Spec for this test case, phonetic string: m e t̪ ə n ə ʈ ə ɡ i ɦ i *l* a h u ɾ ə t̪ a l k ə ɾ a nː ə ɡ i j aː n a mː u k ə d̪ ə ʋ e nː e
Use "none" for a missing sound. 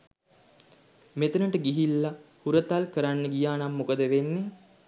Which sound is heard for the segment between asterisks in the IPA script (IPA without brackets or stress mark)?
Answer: lː